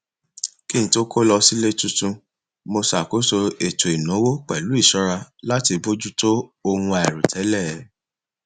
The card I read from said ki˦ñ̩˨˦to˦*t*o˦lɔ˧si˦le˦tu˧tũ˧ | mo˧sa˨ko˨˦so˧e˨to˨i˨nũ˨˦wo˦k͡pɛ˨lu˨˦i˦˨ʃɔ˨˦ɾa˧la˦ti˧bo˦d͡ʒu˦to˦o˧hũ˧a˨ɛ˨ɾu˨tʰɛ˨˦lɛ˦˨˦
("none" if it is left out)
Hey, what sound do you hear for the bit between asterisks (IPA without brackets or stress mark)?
k